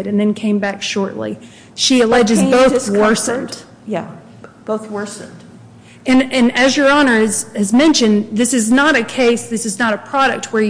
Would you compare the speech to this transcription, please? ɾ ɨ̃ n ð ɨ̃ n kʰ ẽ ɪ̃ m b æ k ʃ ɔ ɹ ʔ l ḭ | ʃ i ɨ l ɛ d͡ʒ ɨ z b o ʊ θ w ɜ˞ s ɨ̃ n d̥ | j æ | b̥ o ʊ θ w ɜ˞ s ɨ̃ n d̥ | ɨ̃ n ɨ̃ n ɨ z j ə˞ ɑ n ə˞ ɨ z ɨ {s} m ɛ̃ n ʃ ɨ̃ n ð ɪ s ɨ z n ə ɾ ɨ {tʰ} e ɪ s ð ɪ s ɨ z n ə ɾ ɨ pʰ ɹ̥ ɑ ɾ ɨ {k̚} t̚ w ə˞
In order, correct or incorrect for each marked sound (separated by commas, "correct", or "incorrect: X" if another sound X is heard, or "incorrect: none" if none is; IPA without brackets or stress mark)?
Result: incorrect: z, incorrect: kʰ, correct